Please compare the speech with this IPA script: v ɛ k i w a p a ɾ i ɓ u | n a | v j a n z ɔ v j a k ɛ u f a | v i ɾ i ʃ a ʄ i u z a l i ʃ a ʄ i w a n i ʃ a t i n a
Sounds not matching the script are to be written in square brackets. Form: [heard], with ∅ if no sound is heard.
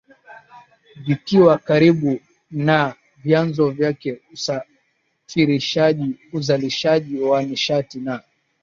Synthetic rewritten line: v [i] k i w a [k] a ɾ i ɓ u | n a | v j a n z ɔ v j a k ɛ u [s] a | [f] i ɾ i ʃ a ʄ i u z a l i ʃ a ʄ i w a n i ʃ a t i n a